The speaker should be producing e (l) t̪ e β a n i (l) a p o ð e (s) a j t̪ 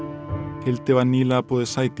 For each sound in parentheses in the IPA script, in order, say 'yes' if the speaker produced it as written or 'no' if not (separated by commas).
yes, yes, yes